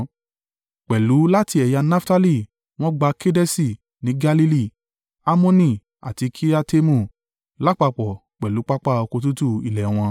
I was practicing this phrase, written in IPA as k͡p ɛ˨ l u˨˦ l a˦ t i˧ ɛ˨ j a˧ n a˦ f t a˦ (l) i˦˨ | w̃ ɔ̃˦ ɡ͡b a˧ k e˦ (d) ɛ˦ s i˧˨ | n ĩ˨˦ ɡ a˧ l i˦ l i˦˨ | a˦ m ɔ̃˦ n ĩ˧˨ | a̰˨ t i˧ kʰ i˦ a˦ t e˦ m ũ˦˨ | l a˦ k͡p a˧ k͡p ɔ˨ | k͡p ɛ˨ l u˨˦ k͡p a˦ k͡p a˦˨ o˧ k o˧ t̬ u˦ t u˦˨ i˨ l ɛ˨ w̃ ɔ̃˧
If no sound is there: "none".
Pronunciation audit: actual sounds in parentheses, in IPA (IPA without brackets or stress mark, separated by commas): l, d